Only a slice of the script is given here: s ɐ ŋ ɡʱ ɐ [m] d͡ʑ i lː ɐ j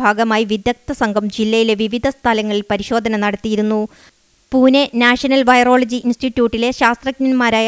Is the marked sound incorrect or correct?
correct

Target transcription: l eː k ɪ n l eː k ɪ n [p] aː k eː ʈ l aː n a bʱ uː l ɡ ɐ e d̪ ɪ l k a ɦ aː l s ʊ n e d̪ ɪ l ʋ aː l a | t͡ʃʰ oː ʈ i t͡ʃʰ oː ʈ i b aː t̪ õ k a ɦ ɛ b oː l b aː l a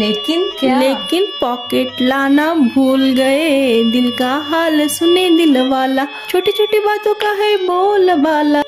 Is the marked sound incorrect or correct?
correct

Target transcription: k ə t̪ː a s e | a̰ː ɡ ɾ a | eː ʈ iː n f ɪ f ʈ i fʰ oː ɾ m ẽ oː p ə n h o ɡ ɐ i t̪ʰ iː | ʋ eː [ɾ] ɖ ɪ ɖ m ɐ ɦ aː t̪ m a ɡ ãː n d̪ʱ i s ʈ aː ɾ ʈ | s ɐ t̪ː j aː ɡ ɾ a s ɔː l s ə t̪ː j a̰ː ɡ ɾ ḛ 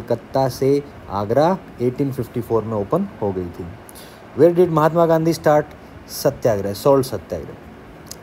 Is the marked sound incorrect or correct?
correct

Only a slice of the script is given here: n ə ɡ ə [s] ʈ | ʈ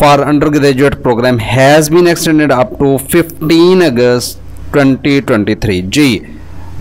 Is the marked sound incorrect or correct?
correct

